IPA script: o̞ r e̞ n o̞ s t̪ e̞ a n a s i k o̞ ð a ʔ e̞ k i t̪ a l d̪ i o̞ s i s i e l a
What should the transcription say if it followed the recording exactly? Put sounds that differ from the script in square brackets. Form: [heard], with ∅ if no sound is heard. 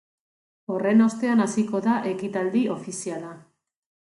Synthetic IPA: o̞ r e̞ n o̞ s t̪ e̞ a n a s i k o̞ ð a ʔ e̞ k i t̪ a l d̪ i o̞ [f] i s i [a] l a